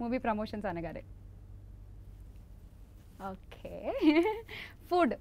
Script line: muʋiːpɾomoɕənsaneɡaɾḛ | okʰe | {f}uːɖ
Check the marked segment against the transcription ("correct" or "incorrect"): correct